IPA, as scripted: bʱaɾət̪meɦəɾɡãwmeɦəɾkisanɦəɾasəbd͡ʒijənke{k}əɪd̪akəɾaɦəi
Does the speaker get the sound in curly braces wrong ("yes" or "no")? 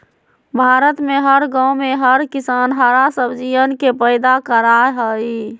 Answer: yes